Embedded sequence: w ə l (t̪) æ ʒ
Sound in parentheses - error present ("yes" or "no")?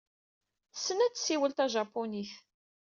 no